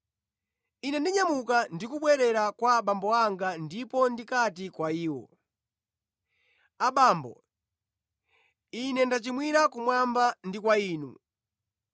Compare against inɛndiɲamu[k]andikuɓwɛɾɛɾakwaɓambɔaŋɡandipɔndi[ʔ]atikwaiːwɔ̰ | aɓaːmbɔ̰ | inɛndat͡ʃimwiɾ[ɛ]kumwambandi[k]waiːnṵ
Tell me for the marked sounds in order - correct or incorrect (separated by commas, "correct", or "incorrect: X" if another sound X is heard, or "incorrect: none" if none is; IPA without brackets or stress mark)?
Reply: correct, incorrect: k, incorrect: a, correct